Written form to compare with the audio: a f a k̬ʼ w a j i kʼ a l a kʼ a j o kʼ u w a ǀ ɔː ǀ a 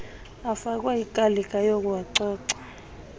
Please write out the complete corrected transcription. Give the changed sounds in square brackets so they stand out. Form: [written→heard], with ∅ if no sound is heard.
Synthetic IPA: a f a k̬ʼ w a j i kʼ a l [a→i] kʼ a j o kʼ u w a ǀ ɔː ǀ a